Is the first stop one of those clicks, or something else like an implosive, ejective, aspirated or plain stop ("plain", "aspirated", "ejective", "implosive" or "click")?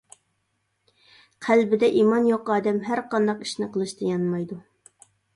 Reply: aspirated